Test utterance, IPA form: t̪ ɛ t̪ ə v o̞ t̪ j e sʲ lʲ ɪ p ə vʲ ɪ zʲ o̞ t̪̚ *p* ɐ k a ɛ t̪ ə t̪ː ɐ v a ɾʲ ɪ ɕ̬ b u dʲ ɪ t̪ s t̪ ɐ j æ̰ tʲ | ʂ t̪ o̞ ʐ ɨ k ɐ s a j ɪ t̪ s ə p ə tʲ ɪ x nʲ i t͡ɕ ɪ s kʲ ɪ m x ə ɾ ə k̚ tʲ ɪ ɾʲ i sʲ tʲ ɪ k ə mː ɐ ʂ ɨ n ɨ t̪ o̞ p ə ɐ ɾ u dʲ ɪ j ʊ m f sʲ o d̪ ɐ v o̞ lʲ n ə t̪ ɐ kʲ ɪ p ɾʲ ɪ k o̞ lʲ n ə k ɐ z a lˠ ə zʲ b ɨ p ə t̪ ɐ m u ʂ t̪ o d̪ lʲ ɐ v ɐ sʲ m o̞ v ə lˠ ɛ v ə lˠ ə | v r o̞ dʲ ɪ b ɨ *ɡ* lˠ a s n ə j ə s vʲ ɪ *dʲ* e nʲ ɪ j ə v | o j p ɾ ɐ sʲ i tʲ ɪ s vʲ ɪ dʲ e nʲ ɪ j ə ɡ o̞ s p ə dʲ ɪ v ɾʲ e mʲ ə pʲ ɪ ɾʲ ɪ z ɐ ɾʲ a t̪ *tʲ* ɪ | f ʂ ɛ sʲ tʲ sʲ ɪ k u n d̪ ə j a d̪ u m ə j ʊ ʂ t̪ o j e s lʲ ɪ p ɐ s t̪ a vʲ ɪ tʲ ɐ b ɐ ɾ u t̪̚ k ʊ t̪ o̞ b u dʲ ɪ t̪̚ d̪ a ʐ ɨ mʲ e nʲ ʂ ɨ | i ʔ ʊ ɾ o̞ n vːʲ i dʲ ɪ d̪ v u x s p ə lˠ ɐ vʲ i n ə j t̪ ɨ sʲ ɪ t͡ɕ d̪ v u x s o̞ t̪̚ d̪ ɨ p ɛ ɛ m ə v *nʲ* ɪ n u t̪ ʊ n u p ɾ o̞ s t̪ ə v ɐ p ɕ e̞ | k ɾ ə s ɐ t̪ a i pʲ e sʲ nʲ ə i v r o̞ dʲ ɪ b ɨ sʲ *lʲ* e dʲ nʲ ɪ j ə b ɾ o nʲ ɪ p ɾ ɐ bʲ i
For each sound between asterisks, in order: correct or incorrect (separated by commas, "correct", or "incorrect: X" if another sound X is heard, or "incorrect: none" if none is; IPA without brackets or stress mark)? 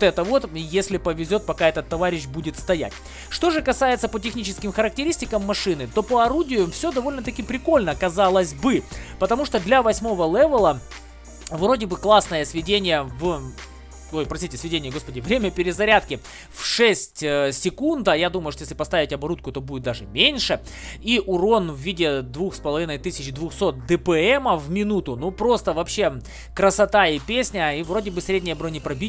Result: correct, incorrect: k, correct, incorrect: kʲ, incorrect: mʲ, incorrect: ɾʲ